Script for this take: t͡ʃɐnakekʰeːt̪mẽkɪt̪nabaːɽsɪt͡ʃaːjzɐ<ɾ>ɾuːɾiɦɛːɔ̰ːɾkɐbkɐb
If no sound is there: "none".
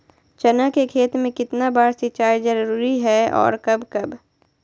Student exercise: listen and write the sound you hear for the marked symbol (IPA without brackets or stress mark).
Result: ɾ